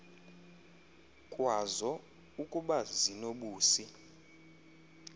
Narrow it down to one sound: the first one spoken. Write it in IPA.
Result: kʼ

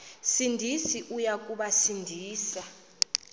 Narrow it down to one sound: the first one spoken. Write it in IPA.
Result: s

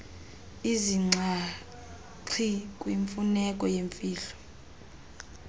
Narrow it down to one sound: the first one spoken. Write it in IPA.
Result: i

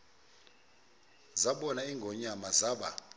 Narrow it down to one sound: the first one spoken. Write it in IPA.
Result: z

